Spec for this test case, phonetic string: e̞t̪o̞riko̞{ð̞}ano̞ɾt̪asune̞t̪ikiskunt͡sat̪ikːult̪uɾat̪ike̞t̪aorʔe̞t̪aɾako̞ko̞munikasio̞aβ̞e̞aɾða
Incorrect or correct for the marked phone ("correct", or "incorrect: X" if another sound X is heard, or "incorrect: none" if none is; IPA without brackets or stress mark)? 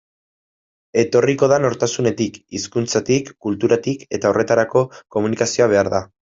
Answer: correct